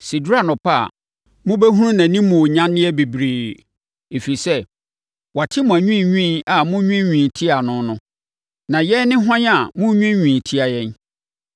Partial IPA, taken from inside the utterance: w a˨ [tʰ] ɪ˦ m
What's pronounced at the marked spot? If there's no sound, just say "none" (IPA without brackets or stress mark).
tʰ